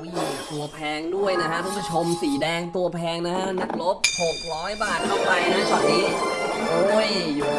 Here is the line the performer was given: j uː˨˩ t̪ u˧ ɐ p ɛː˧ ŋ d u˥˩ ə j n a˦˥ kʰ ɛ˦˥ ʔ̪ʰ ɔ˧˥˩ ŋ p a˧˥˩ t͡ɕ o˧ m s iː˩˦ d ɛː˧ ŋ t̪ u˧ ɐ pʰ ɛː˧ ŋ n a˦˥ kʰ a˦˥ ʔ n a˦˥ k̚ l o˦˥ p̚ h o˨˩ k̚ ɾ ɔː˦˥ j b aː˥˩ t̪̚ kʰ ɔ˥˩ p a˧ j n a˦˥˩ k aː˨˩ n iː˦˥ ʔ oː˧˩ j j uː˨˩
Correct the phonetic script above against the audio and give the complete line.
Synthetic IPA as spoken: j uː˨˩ t̪ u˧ ɐ pʰ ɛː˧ ŋ d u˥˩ ə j n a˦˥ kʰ a˦˥ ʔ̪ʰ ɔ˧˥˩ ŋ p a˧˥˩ t͡ɕʰ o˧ m s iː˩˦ d ɛː˧ ŋ t̪ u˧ ɐ pʰ ɛː˧ ŋ n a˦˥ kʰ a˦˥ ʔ n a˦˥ k̚ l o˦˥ p̚ h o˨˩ k̚ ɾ ɔː˦˥ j b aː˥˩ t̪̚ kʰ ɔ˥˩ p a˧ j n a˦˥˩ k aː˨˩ n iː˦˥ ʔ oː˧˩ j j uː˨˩